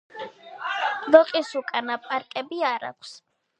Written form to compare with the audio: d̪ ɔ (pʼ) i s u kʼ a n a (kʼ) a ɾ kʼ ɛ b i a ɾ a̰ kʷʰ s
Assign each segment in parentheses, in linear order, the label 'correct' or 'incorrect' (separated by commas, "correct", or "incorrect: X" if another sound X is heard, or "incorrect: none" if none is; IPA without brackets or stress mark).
incorrect: qʼ, incorrect: pʼ